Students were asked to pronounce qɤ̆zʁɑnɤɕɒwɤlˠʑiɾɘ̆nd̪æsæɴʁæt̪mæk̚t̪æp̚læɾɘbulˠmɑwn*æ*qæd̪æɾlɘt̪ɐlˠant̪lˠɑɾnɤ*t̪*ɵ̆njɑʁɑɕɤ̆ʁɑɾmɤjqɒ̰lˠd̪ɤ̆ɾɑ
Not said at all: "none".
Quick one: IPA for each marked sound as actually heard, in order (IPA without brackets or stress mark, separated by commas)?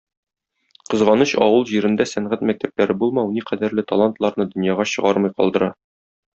i, d̪